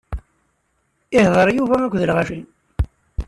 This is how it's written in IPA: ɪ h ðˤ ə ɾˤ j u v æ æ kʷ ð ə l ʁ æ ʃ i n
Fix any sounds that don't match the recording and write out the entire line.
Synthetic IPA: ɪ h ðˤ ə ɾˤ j u v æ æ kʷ ð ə l ʁ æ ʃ i n